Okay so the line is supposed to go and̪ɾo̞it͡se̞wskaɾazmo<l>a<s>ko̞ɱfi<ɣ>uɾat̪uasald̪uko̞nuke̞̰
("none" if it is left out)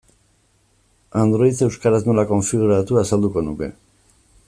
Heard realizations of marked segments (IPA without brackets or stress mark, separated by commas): l, none, ɣ